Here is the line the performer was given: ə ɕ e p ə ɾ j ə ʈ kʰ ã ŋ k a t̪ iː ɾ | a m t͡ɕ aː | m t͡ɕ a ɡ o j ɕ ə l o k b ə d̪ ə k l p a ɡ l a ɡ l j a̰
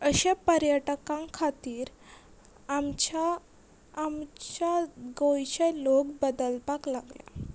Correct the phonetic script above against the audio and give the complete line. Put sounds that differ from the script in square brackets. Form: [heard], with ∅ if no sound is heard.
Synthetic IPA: ə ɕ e p ə ɾ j ə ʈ [k] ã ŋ [kʰ] a t̪ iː ɾ | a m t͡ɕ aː | m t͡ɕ a ɡ o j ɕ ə l o k b ə d̪ ə [∅] l p a [k] l a ɡ l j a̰

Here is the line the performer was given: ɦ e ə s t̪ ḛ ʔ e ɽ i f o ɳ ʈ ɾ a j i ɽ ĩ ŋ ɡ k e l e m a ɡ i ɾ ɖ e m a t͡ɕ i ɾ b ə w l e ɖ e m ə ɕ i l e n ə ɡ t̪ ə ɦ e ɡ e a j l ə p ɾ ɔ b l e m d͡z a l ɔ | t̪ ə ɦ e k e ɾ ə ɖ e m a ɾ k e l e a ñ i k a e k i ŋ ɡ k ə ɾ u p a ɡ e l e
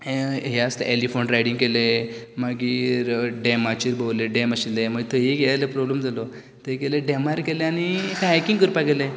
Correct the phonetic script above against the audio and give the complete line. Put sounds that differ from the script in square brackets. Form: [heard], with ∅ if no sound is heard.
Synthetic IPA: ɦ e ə s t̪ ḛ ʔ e [l] i f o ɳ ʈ ɾ a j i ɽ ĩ ŋ ɡ k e l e m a ɡ i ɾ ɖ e m a t͡ɕ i ɾ b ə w l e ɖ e m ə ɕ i l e [m] ə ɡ t̪ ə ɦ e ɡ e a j l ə p ɾ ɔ b l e m d͡z a l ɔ | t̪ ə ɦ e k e [l] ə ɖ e m a ɾ k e l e a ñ i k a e k i ŋ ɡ k ə ɾ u p a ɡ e l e

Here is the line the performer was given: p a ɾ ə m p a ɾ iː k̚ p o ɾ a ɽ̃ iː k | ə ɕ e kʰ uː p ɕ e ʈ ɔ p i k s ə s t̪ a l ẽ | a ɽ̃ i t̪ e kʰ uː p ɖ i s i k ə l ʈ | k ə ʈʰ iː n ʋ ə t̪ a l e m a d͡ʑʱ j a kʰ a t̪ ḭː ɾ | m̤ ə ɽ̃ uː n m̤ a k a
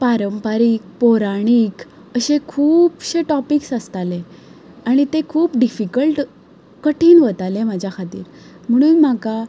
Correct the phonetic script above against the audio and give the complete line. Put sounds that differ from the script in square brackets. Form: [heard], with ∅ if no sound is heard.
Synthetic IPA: p a ɾ ə m p a ɾ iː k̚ p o ɾ a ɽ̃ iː k | ə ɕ e kʰ uː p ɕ e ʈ ɔ p i k s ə s t̪ a l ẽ | a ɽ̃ i t̪ e kʰ uː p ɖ i [f] i k ə l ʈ | k ə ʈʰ iː n ʋ ə t̪ a l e m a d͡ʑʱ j a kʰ a t̪ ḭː ɾ | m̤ ə ɽ̃ uː n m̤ a k a

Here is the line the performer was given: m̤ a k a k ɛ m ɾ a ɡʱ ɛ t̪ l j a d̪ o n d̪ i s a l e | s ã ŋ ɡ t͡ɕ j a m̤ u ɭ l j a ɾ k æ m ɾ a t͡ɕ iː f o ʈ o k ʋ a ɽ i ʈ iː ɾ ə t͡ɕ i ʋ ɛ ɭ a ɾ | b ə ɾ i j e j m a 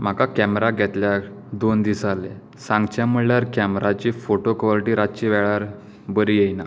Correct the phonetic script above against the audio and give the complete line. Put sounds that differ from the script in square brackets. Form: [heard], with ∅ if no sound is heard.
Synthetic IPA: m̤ a k a k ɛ m ɾ a ɡʱ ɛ t̪ l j a d̪ o n d̪ i s a l e | s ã ŋ ɡ t͡ɕ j a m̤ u ɭ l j a ɾ k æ m ɾ a t͡ɕ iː f o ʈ o k ʋ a [l] i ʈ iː ɾ [a] t͡ɕ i ʋ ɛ ɭ a ɾ | b ə ɾ i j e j [n] a

